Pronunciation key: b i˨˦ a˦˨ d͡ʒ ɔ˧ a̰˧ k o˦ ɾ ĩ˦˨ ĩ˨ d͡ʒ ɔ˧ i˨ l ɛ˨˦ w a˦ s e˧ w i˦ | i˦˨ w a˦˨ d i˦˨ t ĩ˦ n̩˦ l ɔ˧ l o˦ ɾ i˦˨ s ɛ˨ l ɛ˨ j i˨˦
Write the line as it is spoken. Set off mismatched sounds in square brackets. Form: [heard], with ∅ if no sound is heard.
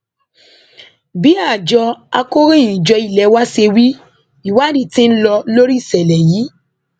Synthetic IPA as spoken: b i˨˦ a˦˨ d͡ʒ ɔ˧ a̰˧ k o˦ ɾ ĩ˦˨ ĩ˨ d͡ʒ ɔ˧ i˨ l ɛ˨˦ w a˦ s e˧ w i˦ | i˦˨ w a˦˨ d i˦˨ t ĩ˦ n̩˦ l ɔ˧ l o˦ ɾ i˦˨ s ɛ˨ l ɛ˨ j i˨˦